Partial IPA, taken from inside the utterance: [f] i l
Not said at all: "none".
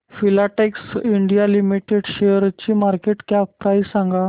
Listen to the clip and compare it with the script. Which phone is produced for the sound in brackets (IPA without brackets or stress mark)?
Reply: f